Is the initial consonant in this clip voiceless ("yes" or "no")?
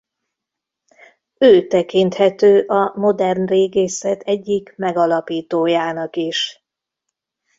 yes